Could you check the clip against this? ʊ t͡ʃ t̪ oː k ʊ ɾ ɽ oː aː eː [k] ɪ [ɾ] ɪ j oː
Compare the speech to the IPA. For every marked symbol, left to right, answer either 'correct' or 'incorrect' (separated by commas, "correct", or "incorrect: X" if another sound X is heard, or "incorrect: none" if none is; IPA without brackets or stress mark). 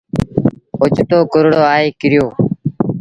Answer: correct, correct